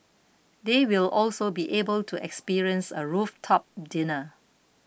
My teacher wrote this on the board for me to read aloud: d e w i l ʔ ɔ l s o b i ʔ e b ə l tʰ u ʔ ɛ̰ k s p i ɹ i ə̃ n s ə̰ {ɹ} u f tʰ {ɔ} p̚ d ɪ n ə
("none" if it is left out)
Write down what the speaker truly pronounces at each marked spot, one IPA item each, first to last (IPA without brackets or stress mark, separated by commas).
ɹ, ɔ